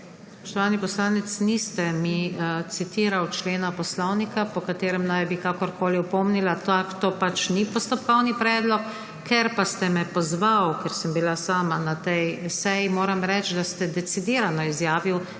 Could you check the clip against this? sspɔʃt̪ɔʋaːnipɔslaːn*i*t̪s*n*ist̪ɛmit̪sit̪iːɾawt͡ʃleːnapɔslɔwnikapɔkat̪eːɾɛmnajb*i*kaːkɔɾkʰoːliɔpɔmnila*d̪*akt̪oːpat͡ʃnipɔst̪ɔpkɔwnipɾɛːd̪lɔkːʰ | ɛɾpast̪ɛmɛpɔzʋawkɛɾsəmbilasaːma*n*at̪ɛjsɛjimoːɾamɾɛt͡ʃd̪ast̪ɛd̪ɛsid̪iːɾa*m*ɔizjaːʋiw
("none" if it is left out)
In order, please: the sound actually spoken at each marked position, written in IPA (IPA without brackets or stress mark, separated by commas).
ɛ, n, i, t̪, n, n